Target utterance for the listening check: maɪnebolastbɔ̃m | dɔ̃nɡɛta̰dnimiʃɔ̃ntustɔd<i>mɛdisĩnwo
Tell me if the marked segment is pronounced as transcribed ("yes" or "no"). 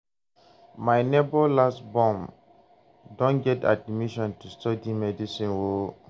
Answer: yes